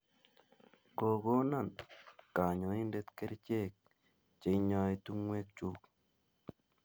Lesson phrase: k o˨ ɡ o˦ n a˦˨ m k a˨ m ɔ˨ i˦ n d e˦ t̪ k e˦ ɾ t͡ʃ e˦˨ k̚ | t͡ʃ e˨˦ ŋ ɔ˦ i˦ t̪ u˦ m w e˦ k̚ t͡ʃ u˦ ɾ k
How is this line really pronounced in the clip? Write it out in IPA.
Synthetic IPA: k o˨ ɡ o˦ n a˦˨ n k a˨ ɲ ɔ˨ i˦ n d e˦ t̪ k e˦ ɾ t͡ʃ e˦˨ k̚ | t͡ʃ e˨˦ ɲ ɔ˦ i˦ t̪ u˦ ŋ w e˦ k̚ t͡ʃ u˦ k